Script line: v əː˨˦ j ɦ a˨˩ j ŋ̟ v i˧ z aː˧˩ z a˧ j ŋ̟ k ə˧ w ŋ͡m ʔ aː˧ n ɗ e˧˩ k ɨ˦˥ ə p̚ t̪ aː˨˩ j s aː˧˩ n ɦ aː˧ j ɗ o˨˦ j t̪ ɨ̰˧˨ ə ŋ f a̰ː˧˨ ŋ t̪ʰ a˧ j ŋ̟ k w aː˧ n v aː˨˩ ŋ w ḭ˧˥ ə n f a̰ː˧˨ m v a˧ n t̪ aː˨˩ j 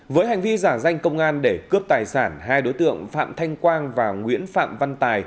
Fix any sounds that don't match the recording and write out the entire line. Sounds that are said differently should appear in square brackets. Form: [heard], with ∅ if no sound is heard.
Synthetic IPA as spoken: v əː˨˦ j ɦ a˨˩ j ŋ̟ v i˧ z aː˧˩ z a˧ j ŋ̟ k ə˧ w ŋ͡m ʔ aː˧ n ɗ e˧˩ k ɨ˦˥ ə p̚ t̪ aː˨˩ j s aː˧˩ n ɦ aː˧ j ɗ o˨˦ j t̪ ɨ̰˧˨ ə ŋ f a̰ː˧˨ [m] t̪ʰ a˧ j ŋ̟ k w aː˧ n v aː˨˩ ŋ w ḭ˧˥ ə n f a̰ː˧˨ m v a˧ n t̪ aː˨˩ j